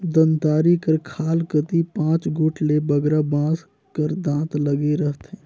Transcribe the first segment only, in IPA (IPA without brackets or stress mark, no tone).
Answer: d̪